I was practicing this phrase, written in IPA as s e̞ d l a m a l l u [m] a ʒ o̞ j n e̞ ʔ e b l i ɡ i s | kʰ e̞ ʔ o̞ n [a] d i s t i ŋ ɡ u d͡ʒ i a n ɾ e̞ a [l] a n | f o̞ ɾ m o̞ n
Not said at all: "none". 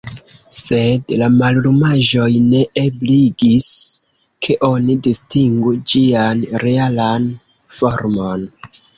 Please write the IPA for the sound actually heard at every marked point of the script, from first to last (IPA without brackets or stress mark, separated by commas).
m, i, l